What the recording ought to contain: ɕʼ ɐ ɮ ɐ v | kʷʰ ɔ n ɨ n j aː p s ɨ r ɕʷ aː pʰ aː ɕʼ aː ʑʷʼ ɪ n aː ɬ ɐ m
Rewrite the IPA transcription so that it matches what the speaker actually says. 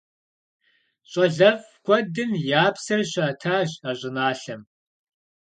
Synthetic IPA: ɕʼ ɐ ɮ ɐ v | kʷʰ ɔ d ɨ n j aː p s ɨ r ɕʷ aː tʰ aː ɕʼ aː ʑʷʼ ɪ n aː ɬ ɐ m